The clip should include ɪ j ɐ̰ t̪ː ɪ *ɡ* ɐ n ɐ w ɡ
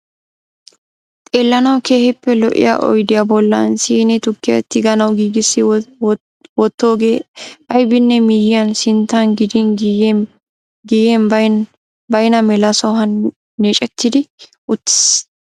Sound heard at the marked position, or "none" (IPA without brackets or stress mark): ɡ